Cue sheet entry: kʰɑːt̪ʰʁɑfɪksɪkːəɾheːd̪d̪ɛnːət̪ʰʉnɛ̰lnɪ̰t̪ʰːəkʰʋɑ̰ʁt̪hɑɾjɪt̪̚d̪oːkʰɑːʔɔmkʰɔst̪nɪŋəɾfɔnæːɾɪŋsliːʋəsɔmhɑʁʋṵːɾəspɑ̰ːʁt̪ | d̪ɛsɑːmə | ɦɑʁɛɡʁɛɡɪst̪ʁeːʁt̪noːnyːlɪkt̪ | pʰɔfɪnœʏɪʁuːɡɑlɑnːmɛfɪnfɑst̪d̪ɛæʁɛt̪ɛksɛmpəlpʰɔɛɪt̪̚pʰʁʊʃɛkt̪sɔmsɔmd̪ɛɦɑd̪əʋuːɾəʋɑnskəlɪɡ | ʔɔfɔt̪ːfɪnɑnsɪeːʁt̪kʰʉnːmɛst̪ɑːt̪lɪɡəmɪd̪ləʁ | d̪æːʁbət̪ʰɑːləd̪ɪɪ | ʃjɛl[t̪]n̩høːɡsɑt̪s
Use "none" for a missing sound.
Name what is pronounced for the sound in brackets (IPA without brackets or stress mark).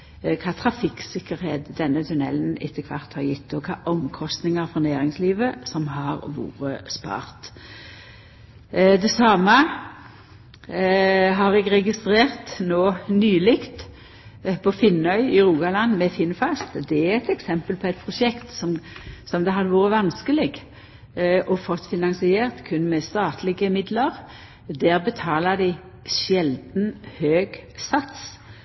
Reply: d̪